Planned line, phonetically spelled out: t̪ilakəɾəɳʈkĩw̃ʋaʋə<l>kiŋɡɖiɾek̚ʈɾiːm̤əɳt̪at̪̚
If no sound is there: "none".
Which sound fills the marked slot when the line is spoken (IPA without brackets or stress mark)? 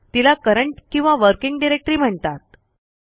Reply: ɾ